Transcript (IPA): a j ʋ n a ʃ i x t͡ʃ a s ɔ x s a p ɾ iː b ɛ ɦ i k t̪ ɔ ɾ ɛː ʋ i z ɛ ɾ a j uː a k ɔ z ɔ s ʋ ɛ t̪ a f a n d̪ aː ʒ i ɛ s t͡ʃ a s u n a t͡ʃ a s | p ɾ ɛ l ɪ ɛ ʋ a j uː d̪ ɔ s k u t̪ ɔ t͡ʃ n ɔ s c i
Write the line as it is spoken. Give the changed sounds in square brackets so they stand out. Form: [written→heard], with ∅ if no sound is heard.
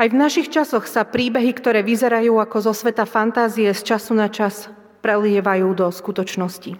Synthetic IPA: a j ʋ n a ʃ i x t͡ʃ a s ɔ x s a p ɾ iː b ɛ ɦ i k t̪ ɔ ɾ ɛː ʋ i z ɛ ɾ a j uː a k ɔ z ɔ s ʋ ɛ t̪ a f a n [d̪→t̪] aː [ʒ→z] i ɛ s t͡ʃ a s u n a t͡ʃ a s | p ɾ ɛ l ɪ ɛ ʋ a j uː d̪ ɔ s k u t̪ ɔ t͡ʃ n ɔ s c i